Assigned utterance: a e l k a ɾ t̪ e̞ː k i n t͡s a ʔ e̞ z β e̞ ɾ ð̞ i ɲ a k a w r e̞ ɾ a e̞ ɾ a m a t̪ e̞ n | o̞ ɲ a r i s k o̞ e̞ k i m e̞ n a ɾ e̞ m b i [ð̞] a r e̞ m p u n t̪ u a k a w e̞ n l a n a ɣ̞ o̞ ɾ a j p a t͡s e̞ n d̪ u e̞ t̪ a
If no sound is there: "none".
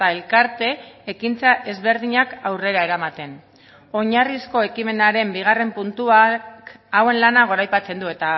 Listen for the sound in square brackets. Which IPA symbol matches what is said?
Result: ɣ̞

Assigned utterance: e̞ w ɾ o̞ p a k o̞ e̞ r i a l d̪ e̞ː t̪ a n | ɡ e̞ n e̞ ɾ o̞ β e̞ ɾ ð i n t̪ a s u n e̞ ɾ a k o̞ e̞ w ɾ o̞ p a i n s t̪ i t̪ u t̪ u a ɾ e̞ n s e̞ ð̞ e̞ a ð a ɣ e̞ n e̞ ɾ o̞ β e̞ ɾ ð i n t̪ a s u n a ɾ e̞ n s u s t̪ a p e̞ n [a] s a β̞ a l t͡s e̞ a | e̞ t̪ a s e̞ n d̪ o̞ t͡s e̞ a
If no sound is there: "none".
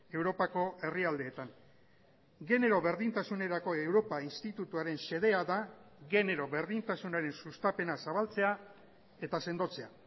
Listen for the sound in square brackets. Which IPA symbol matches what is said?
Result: a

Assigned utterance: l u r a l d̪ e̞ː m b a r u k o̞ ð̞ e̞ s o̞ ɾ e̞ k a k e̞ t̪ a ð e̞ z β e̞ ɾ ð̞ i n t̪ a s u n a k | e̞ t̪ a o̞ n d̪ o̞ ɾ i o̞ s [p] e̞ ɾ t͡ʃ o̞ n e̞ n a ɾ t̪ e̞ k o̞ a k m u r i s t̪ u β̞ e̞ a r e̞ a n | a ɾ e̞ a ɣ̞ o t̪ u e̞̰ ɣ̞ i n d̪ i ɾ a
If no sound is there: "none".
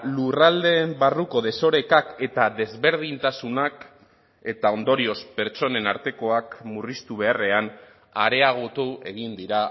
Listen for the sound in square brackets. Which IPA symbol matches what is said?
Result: p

